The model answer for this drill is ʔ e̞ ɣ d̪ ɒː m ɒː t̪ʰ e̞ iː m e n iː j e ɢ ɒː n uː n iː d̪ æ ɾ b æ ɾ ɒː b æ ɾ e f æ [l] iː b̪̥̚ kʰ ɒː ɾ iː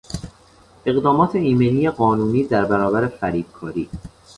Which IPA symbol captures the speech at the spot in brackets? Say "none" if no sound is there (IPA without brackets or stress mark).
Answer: ɾ